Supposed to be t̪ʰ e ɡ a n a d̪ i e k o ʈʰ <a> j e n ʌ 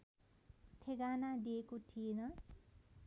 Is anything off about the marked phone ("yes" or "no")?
yes